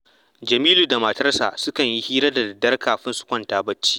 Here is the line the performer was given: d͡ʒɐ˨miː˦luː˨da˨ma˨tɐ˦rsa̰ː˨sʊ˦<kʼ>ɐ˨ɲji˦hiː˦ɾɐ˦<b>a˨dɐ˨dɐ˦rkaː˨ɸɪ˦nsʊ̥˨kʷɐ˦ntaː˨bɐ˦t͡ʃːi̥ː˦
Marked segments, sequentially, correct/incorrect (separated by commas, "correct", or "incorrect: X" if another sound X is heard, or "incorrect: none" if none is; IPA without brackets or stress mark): incorrect: k, incorrect: d